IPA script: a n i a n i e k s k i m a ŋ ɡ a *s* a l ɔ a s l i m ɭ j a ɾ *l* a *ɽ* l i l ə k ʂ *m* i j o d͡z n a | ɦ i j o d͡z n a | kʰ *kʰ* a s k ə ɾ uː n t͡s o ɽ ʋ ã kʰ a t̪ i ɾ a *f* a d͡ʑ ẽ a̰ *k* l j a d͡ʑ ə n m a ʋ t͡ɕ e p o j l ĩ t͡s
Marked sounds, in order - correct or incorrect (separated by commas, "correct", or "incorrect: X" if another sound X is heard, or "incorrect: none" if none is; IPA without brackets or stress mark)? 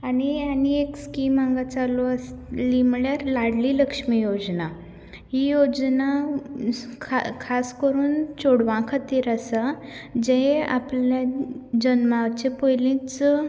incorrect: t͡s, correct, correct, correct, correct, incorrect: s, incorrect: p